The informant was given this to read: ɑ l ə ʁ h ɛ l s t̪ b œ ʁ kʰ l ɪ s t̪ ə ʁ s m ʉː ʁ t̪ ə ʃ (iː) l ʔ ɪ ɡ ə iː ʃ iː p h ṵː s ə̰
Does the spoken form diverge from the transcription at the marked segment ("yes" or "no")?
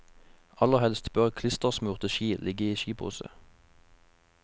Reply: no